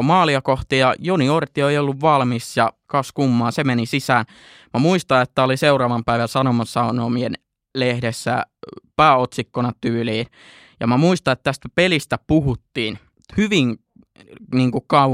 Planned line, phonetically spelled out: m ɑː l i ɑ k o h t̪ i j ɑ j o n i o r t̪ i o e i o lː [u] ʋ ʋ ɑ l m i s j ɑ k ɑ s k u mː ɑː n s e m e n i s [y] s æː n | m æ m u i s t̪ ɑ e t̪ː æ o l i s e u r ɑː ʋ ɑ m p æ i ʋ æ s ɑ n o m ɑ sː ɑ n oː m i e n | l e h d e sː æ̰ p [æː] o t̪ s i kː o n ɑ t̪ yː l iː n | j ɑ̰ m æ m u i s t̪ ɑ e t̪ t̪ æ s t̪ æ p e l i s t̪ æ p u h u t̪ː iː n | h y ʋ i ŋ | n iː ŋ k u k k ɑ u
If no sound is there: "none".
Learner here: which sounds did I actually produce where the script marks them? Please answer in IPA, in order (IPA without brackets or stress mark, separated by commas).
u, i, æː